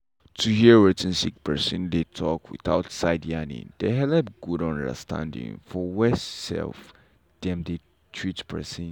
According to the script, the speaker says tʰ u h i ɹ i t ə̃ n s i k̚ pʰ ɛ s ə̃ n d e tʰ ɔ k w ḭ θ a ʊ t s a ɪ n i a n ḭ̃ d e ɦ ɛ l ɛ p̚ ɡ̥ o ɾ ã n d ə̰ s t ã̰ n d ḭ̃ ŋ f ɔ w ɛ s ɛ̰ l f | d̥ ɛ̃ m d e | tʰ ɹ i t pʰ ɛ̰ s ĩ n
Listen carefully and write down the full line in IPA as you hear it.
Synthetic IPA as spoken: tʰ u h i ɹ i t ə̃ n s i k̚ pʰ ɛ s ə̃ n d e tʰ ɔ k w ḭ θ a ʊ t s a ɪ d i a n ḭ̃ d e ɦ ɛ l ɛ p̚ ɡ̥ u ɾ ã n d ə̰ s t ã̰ n d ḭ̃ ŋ f ɔ w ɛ s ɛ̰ l f | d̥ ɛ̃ m d e | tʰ ɹ i t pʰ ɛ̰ s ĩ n